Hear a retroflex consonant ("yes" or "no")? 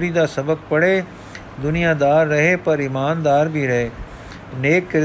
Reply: yes